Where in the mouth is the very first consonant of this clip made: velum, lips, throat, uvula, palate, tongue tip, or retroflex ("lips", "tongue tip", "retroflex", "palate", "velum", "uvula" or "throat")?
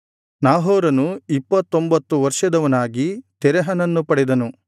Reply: tongue tip